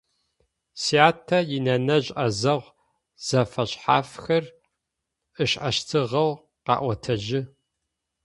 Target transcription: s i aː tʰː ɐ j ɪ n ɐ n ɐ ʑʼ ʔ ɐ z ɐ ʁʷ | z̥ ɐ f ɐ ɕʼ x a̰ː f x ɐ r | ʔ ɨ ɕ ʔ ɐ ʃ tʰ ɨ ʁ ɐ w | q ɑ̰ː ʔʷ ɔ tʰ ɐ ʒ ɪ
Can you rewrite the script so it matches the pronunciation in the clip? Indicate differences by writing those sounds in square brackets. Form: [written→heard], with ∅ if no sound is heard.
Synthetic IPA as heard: s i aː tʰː ɐ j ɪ n ɐ n ɐ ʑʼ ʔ ɐ z ɐ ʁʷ | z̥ ɐ f ɐ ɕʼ [x→ħ] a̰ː f x ɐ r | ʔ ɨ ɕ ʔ ɐ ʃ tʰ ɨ ʁ ɐ w | q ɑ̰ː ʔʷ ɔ tʰ ɐ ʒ ɪ